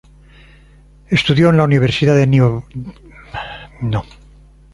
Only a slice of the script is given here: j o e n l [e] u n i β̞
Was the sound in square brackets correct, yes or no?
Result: no